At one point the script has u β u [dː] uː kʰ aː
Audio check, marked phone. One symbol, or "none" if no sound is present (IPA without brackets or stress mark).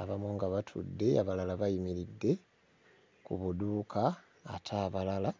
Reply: d